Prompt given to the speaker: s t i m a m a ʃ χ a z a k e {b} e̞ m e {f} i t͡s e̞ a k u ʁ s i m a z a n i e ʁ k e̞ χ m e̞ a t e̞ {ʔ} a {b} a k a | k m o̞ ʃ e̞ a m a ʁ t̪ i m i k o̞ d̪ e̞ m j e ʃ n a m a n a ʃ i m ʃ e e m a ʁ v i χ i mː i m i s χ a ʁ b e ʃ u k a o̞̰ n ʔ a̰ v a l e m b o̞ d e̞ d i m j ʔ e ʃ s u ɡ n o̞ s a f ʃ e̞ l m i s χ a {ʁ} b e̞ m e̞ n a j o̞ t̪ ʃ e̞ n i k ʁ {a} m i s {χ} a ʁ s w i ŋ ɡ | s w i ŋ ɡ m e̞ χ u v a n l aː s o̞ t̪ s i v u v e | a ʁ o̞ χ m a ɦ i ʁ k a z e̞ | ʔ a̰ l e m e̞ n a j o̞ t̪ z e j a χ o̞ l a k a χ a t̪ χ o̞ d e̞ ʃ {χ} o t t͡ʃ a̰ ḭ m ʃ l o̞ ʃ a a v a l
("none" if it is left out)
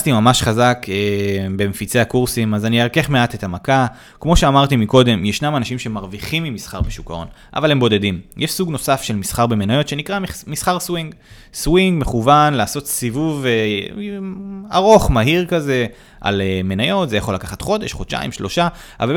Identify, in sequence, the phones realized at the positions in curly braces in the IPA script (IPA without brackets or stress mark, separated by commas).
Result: b, f, t, m, ʁ, a, χ, χ